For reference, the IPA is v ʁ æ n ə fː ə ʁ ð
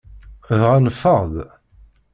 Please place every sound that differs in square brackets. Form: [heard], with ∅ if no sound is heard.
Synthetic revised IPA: [ð] ʁ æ n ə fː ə ʁ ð